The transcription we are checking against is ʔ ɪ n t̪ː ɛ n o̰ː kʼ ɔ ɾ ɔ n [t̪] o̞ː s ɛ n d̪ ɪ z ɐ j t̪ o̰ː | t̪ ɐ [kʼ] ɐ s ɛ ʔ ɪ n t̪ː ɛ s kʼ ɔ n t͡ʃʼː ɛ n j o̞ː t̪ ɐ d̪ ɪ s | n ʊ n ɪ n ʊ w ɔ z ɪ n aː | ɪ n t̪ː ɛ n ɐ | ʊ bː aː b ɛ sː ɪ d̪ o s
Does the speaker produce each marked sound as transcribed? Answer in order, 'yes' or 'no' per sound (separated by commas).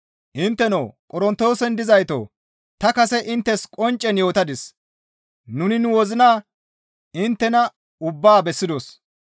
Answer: yes, no